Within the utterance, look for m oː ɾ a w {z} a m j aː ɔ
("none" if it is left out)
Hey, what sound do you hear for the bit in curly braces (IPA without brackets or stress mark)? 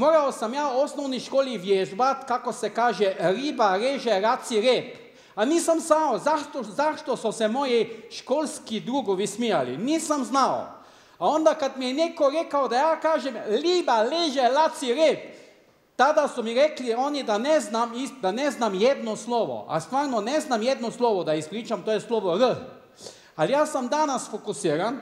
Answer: s